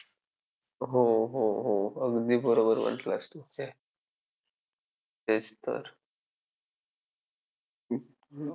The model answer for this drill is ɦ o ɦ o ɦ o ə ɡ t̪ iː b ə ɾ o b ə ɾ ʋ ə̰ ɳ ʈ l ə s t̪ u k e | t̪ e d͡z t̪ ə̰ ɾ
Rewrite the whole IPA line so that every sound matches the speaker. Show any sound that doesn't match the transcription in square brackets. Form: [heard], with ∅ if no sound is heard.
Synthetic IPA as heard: ɦ o ɦ o ɦ o ə ɡ [d̪] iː b ə ɾ o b ə ɾ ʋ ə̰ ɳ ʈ l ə s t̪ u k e | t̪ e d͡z t̪ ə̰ ɾ